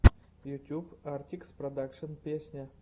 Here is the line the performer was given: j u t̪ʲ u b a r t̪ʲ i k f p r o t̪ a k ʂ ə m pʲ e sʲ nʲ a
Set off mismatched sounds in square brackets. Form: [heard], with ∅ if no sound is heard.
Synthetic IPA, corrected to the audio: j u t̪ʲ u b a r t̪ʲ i k [s] p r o [d̪] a k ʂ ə [n] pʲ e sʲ nʲ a